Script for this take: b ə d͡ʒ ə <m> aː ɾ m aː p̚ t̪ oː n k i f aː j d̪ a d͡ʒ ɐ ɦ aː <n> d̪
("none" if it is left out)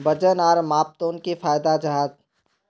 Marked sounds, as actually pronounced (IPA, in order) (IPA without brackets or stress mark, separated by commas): n, none